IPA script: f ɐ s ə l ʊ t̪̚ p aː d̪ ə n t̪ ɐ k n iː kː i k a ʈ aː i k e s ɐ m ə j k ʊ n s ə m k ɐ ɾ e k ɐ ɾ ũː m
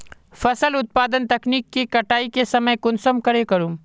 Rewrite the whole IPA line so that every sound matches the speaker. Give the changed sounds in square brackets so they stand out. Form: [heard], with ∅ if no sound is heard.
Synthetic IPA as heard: f ɐ s ə l ʊ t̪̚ p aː d̪ ə n t̪ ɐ k n iː kː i k [ɐ] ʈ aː i k e s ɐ m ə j k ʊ n s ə m k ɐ ɾ e k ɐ ɾ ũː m